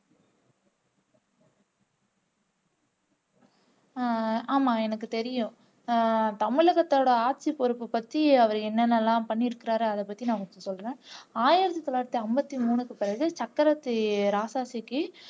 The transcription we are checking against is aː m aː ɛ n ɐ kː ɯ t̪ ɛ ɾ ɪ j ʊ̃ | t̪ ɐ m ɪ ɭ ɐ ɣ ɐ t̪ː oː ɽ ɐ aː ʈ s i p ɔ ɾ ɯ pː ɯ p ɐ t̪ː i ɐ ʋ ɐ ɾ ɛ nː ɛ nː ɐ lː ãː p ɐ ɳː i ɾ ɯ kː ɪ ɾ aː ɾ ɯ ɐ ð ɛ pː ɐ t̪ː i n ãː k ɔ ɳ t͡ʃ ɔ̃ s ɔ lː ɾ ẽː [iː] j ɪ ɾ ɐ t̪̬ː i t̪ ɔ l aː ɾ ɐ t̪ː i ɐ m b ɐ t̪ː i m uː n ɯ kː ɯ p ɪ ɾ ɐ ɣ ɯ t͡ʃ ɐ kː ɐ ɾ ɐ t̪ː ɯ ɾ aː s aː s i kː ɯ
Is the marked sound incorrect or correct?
incorrect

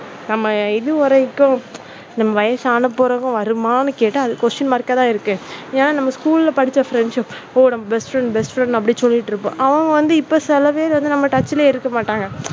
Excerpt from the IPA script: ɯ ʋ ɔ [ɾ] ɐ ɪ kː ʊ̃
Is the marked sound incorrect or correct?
correct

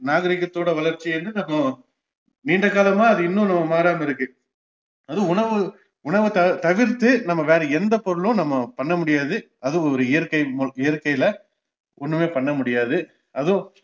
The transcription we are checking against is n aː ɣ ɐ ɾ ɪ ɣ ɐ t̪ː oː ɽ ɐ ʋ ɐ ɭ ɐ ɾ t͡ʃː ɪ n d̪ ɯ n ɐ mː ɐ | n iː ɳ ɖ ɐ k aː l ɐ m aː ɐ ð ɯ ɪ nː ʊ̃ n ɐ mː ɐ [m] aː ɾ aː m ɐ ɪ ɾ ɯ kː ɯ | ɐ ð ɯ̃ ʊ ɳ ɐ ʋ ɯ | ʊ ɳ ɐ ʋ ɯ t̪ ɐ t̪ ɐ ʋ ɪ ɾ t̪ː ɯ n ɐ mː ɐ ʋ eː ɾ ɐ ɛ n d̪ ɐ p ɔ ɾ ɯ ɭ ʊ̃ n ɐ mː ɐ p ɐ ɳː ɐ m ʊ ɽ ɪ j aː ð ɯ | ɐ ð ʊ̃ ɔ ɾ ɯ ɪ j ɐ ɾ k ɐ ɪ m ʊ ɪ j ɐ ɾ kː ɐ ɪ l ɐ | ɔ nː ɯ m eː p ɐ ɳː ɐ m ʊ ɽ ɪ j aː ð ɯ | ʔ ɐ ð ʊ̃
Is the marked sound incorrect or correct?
correct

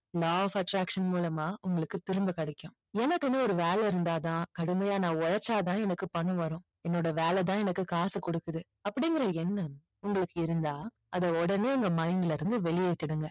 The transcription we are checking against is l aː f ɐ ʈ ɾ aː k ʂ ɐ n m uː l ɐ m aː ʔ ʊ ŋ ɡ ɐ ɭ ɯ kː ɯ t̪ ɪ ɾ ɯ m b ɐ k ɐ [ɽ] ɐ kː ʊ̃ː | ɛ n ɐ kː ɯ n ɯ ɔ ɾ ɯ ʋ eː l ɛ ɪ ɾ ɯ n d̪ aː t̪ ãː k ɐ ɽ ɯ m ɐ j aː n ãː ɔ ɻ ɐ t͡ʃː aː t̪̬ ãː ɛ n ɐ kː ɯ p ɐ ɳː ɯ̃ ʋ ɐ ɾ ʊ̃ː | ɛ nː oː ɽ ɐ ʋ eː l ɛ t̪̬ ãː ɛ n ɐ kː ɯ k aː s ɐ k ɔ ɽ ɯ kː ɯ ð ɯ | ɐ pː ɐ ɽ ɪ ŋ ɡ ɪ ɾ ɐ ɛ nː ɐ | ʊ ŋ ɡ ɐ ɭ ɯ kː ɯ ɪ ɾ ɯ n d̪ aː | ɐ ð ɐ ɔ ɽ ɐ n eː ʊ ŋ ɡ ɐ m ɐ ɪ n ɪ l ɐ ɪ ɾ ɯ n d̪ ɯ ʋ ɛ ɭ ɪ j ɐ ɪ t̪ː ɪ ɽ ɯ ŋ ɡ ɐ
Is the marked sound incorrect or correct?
correct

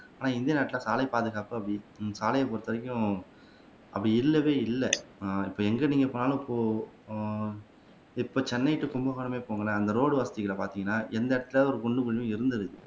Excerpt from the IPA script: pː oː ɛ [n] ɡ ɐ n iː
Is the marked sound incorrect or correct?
incorrect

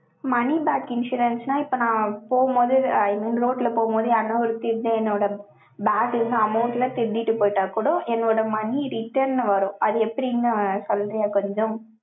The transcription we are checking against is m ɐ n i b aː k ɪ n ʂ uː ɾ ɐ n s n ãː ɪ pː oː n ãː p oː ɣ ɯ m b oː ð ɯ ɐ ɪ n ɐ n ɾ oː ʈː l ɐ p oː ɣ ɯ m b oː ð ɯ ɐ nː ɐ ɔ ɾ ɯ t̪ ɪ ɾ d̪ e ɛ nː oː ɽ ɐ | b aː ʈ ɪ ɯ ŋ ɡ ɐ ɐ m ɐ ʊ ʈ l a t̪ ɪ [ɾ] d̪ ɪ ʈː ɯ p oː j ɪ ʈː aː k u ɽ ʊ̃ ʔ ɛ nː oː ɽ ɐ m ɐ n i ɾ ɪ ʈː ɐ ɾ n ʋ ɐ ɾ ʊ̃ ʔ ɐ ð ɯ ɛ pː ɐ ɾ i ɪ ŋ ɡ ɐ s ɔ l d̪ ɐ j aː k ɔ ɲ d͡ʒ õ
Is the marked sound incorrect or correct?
correct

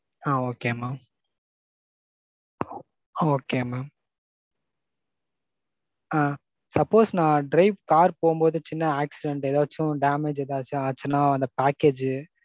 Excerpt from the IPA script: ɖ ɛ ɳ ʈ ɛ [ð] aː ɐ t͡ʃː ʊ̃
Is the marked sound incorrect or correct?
correct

